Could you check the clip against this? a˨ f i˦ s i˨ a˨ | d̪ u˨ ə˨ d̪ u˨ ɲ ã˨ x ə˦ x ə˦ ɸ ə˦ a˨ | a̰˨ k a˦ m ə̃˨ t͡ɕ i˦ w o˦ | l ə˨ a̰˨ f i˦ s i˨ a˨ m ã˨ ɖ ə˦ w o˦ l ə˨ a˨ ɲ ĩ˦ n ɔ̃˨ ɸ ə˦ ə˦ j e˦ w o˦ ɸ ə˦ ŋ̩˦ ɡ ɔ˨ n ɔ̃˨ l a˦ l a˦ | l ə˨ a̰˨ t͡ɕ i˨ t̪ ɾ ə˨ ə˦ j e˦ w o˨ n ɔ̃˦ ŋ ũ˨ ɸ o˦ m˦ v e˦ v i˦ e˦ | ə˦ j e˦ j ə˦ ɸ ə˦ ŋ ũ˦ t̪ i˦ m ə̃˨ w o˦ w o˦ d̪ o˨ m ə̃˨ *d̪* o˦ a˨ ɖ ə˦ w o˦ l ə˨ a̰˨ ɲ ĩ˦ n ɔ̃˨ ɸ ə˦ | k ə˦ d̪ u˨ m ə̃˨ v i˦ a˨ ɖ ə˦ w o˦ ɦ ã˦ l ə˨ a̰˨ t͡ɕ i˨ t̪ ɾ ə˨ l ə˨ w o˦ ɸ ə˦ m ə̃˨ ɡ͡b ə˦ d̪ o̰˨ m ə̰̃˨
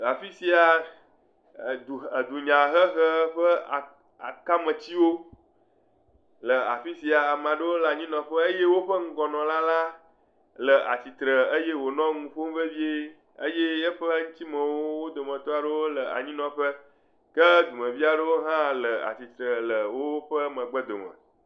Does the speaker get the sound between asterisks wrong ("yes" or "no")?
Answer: yes